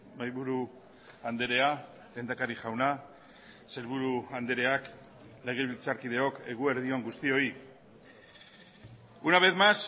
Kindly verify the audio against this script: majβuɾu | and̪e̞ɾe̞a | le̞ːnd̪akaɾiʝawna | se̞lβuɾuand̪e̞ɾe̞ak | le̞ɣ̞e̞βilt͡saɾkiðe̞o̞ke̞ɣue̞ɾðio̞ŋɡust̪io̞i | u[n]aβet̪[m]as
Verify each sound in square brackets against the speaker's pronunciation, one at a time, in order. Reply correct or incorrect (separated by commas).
correct, correct